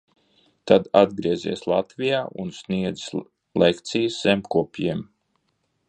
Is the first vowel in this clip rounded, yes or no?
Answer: no